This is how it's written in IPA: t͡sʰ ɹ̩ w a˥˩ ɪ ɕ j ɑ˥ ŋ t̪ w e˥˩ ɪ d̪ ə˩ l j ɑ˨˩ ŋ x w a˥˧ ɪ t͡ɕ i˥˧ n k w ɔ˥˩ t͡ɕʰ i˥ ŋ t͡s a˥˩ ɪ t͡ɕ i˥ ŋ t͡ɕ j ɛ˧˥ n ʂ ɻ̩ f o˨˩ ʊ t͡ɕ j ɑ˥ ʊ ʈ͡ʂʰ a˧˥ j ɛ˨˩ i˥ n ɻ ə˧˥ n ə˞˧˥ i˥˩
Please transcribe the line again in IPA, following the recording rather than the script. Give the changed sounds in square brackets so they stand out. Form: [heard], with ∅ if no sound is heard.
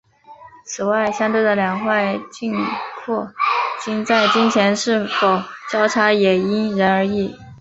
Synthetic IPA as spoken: t͡sʰ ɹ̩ w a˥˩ ɪ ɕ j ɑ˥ ŋ t̪ w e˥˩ ɪ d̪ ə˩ l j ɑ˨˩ ŋ x w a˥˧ ɪ t͡ɕ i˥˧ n [kʰ] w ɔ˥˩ [t͡ɕ] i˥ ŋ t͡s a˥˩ ɪ t͡ɕ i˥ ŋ [t͡ɕʰ] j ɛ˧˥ n ʂ ɻ̩ f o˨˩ ʊ t͡ɕ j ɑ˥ ʊ ʈ͡ʂʰ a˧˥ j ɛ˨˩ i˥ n ɻ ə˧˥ n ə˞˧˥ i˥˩